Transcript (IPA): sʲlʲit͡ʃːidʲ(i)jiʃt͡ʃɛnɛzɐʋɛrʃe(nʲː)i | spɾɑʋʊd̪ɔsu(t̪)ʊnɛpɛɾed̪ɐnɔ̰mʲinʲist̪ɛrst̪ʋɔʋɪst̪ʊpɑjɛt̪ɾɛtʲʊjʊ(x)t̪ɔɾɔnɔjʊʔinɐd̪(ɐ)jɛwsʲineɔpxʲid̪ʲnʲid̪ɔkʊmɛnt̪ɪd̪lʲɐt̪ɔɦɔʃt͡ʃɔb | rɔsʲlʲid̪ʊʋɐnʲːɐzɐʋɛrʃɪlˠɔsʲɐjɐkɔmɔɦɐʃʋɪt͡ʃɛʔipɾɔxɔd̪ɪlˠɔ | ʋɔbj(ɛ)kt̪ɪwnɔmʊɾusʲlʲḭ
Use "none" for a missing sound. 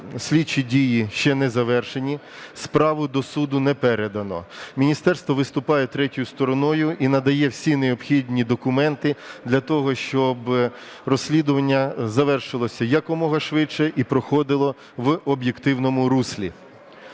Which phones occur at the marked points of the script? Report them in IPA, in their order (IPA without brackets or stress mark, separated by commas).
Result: i, nʲ, d̪, s, ɐ, e